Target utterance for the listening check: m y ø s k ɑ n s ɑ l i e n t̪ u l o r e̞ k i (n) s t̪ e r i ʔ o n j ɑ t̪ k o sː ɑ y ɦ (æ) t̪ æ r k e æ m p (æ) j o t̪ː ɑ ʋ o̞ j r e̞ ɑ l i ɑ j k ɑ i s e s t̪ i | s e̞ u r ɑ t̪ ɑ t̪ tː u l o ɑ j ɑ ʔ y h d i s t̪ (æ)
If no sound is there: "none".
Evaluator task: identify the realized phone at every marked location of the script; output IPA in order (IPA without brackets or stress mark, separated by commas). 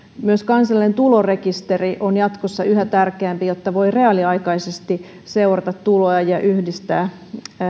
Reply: none, æ, i, æː